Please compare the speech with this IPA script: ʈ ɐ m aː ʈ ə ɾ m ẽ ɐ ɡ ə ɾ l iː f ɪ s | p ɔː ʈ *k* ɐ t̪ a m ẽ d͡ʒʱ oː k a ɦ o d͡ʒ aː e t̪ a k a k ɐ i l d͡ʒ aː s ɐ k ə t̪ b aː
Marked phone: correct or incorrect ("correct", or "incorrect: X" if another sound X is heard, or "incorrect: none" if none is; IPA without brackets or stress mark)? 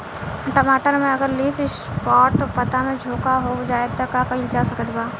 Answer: incorrect: p